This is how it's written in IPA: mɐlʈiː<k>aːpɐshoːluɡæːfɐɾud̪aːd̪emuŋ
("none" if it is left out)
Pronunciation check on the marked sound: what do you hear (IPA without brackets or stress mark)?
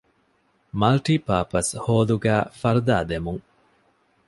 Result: p